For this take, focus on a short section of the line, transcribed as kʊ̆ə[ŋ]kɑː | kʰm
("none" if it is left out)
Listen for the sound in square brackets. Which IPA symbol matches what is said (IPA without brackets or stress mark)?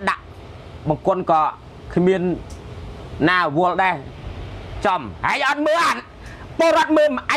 n